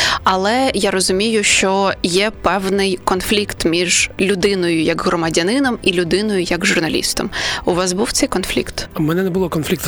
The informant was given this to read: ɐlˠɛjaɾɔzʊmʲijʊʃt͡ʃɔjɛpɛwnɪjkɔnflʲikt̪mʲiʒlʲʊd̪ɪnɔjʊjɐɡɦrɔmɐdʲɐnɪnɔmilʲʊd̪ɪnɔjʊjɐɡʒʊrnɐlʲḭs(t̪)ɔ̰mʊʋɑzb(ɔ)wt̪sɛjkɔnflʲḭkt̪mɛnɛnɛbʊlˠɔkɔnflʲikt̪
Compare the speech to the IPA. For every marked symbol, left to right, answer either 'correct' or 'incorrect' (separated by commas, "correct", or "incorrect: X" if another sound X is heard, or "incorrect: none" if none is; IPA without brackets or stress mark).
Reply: correct, incorrect: u